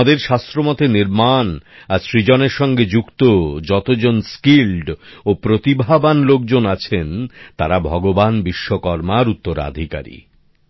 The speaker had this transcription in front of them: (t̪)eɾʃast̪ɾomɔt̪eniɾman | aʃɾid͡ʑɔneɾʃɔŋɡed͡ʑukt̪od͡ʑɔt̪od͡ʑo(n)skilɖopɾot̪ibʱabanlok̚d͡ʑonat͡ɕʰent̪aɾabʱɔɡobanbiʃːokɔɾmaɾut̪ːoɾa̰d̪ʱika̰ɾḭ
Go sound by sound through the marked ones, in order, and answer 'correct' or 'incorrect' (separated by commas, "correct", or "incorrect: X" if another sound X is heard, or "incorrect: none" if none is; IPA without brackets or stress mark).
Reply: incorrect: d̪, correct